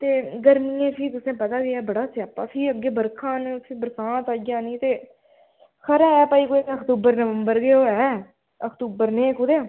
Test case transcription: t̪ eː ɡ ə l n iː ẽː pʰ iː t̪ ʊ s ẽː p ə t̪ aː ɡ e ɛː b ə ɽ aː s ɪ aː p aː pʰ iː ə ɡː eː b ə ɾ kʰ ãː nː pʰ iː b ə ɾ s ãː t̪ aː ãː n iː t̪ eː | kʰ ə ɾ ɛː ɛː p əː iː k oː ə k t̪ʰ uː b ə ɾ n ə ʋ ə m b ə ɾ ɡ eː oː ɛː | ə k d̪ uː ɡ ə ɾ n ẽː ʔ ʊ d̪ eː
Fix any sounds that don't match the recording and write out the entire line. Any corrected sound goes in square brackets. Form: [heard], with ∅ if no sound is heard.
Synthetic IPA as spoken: t̪ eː ɡ ə [ɾ] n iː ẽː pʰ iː t̪ ʊ s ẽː p ə t̪ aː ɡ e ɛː b ə ɽ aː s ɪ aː p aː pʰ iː ə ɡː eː b ə ɾ kʰ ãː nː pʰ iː b ə ɾ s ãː t̪ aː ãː n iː t̪ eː | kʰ ə ɾ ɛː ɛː p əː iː k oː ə k [t̪] uː b ə ɾ n ə ʋ ə m b ə ɾ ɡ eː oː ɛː | ə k [t̪] uː [b] ə ɾ n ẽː [k] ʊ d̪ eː